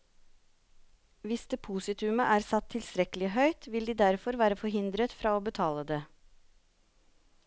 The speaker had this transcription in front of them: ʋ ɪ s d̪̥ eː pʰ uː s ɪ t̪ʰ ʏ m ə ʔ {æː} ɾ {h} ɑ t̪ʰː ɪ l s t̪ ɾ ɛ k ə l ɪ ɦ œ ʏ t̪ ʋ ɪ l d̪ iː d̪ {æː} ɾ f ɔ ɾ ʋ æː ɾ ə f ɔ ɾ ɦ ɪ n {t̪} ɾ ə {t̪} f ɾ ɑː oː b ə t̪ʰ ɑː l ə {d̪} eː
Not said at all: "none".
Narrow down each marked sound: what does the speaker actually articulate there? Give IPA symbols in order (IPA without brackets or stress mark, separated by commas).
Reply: æː, s, æ, d̪, t̪, d̪